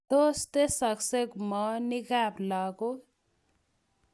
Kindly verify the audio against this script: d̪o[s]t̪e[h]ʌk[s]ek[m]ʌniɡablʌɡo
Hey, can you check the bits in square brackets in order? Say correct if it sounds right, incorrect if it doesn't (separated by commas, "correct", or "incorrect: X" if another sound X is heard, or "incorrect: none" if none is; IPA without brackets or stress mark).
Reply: correct, incorrect: s, correct, correct